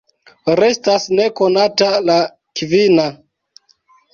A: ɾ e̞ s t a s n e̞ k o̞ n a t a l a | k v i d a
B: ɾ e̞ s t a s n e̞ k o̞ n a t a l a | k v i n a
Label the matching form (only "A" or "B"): B